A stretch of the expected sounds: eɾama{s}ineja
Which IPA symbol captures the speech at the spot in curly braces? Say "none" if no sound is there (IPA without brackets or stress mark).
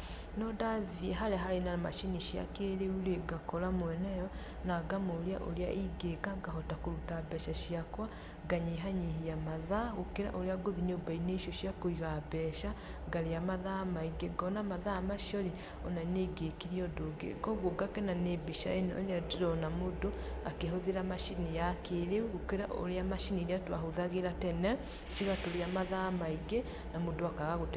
ʃ